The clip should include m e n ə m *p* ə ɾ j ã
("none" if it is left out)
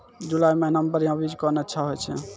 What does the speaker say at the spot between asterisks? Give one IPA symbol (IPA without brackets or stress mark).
b